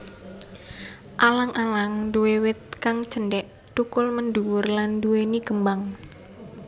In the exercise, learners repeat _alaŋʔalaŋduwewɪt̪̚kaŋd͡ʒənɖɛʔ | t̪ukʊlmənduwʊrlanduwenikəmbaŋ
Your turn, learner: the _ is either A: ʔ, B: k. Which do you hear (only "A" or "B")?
A